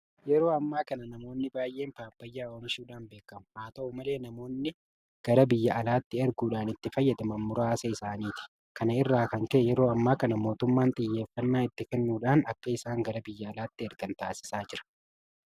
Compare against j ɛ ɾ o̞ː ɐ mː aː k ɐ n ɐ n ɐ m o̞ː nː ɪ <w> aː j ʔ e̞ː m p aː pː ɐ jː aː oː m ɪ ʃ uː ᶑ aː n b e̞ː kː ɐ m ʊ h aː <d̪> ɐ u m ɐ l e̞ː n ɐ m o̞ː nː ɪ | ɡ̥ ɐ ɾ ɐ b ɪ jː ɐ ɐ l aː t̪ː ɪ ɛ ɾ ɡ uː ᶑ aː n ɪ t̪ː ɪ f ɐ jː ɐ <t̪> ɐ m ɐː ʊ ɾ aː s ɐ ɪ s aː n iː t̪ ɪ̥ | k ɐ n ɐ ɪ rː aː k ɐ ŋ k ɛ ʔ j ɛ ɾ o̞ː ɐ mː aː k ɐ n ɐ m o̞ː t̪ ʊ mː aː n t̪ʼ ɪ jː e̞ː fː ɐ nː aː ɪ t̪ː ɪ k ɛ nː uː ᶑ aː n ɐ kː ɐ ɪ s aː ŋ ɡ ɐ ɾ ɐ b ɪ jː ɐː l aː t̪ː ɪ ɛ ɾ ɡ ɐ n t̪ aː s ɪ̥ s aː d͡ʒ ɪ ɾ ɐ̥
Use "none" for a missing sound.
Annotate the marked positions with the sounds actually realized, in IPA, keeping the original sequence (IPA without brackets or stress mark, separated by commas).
b, t̪, d̪